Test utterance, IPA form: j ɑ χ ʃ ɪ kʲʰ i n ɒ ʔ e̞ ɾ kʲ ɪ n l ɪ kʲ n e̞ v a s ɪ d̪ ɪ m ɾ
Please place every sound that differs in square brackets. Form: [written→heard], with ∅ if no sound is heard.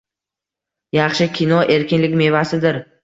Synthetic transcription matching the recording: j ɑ χ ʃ ɪ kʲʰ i n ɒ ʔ e̞ ɾ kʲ ɪ n l ɪ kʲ [n→m] e̞ v a s ɪ d̪ ɪ [m→∅] ɾ